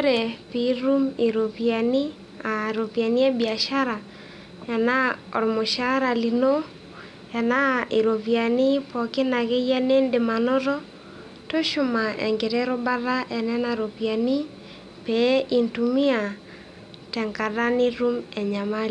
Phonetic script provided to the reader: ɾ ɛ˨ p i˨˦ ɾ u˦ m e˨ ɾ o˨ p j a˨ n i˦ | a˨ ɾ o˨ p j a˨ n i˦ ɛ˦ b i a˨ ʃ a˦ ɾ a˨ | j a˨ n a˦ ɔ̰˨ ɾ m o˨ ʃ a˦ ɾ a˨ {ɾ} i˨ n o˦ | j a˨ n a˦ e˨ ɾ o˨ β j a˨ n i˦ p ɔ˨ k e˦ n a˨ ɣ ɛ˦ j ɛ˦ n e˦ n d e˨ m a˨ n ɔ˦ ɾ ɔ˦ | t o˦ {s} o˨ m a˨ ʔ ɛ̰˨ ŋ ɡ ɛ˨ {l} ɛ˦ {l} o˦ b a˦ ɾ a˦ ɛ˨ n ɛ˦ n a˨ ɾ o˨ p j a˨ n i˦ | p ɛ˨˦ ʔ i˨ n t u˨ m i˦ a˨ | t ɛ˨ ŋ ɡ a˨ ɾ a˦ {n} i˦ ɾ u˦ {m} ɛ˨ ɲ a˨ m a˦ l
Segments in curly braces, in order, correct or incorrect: incorrect: l, incorrect: ʃ, incorrect: ɾ, incorrect: ɾ, correct, correct

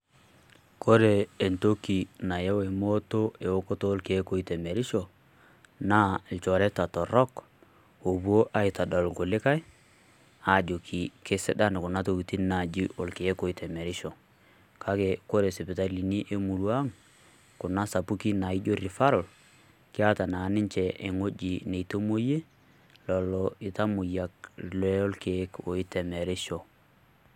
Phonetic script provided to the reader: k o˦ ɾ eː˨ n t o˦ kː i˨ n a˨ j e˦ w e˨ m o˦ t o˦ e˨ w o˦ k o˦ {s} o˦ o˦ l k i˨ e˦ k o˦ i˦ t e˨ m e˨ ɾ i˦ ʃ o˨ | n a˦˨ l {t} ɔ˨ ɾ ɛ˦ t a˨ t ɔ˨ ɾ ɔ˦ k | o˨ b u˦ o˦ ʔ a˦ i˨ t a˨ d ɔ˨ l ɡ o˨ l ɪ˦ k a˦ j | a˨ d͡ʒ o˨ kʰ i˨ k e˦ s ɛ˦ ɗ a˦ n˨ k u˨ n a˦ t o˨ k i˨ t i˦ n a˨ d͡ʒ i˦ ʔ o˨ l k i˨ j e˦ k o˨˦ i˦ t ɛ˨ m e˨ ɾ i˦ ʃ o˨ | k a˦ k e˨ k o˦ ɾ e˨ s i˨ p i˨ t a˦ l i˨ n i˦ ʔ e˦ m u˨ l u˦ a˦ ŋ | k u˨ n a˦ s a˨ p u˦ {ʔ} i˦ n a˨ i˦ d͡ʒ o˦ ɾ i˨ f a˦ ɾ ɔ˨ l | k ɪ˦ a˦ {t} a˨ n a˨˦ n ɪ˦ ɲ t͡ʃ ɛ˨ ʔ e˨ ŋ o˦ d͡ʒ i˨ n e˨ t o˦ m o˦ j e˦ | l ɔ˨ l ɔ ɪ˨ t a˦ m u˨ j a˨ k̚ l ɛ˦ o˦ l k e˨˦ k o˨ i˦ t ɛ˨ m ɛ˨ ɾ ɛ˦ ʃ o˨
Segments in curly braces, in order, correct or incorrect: incorrect: t, incorrect: t͡ʃ, incorrect: k, correct

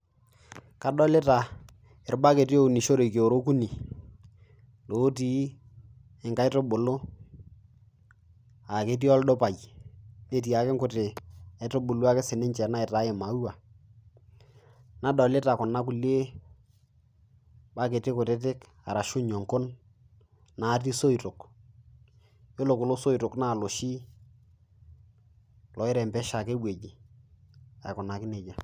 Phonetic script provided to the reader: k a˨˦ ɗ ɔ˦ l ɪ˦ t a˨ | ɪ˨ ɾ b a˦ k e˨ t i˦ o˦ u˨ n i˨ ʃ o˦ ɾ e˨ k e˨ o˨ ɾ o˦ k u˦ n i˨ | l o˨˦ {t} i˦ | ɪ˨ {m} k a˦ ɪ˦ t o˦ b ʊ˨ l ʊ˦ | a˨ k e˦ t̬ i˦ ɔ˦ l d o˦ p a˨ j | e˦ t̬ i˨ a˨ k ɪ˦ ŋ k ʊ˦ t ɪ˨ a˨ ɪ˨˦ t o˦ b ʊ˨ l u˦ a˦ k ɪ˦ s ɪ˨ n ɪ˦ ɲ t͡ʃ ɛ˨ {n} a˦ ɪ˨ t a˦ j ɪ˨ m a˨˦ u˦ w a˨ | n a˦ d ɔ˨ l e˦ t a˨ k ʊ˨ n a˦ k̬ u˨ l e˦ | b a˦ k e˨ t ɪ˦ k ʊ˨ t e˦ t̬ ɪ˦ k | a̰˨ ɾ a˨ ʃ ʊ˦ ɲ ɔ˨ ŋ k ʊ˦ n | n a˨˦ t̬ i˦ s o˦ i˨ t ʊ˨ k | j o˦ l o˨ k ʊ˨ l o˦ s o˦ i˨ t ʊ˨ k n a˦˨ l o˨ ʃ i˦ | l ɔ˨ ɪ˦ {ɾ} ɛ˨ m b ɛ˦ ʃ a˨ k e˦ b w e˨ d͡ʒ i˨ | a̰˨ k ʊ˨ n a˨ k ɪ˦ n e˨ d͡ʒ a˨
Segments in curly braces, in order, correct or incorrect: correct, incorrect: ŋ, correct, correct

